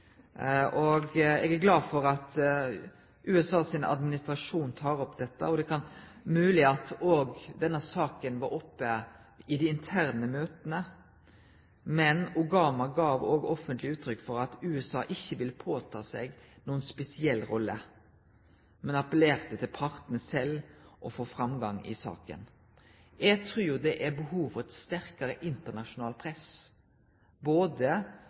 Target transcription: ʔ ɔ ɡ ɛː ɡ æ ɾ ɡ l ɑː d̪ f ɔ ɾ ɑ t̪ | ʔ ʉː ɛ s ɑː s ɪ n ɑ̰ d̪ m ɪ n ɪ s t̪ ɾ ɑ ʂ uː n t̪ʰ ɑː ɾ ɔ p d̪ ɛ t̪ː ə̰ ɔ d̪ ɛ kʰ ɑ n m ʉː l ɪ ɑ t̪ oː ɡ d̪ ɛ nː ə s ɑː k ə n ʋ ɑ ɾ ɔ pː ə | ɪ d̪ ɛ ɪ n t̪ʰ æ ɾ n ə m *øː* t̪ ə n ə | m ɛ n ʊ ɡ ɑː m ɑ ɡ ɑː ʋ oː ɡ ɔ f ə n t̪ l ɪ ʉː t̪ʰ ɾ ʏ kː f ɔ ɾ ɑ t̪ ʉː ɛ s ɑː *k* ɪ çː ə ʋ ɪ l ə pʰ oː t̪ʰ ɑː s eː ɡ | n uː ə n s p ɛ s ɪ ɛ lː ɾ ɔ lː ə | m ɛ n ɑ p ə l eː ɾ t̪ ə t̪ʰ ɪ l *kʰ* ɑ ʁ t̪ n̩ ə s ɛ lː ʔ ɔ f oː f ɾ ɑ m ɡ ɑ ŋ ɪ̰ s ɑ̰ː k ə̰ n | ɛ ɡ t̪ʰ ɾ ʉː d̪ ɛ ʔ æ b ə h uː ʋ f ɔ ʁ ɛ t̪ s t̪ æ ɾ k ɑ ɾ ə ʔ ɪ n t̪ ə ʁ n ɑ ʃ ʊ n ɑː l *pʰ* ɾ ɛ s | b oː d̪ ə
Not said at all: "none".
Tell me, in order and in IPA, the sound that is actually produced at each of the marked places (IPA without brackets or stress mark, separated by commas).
øː, ʔ, pʰ, pʰ